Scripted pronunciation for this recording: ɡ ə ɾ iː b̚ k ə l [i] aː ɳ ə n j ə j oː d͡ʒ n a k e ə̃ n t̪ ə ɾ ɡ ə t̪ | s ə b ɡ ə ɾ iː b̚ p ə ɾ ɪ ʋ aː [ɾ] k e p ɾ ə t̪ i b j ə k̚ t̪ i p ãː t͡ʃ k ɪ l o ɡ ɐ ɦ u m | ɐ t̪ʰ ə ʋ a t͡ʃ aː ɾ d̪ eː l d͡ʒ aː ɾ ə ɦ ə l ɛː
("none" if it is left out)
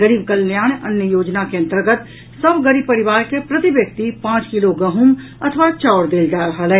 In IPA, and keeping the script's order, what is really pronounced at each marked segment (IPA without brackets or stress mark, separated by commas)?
j, ɾ